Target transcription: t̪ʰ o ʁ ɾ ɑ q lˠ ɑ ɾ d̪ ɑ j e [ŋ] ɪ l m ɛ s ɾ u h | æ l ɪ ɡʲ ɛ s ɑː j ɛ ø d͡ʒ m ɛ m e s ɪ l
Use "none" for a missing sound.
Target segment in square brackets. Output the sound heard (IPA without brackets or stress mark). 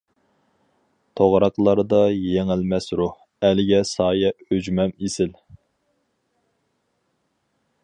ŋ